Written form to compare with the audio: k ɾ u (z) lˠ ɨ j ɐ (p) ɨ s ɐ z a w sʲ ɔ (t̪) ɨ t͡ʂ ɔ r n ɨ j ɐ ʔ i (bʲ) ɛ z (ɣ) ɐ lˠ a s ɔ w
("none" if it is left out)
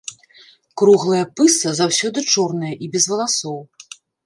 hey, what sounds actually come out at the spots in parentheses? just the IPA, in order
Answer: ɣ, p, d̪, bʲ, v

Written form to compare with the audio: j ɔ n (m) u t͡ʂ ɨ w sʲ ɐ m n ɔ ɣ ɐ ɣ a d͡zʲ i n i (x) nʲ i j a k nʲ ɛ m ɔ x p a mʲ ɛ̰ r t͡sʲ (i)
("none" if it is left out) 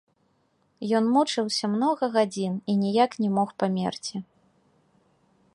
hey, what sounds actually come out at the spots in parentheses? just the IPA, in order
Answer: m, none, i

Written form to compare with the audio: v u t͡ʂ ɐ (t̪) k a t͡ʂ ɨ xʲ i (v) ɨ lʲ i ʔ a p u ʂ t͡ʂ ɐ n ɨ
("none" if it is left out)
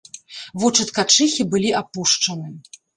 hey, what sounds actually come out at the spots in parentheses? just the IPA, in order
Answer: t̪, b

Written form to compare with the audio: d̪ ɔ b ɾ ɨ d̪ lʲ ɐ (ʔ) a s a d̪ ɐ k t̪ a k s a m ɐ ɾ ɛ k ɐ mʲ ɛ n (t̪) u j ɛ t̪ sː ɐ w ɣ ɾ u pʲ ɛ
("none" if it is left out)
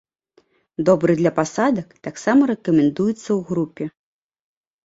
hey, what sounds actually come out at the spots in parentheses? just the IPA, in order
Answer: p, d̪

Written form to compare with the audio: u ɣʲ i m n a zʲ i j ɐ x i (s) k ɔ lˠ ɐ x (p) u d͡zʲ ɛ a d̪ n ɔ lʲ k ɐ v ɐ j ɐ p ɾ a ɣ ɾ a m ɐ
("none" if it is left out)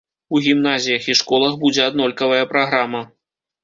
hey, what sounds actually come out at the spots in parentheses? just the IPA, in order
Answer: ʂ, b

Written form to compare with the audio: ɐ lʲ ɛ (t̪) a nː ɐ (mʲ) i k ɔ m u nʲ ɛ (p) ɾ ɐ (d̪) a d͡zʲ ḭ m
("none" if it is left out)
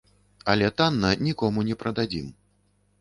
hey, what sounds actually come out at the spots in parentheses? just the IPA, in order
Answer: t̪, nʲ, p, d̪

